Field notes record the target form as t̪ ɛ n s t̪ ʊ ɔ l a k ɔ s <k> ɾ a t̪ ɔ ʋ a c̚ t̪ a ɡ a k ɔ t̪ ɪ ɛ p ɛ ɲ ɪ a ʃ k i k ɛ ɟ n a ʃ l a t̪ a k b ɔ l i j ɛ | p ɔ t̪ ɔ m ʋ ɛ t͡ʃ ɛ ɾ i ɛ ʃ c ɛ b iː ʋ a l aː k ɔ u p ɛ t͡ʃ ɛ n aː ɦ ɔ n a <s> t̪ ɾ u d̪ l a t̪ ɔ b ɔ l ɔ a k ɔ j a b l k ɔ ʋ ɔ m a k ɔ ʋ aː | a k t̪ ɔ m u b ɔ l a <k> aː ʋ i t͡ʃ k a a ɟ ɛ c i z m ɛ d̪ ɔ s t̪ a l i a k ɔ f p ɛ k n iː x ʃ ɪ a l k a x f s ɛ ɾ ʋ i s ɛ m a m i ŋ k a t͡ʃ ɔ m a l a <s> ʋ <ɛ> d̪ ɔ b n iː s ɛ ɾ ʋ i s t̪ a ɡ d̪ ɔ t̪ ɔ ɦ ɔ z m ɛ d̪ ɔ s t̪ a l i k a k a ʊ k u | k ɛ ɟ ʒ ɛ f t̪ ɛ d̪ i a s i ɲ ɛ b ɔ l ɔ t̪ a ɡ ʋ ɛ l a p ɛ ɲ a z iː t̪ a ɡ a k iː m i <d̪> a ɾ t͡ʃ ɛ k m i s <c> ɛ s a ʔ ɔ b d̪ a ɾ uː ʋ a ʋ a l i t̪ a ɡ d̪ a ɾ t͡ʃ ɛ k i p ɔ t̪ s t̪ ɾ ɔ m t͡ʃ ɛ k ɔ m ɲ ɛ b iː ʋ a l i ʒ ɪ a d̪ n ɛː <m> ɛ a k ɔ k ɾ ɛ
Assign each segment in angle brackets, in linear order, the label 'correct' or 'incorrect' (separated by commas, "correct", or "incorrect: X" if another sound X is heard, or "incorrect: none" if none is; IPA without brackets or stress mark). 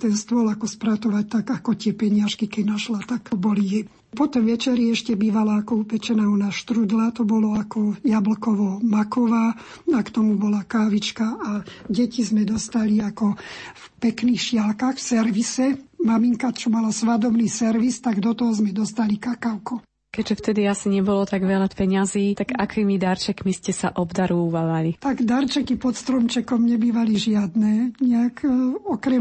incorrect: p, incorrect: ʃ, correct, correct, incorrect: a, correct, correct, incorrect: ɲ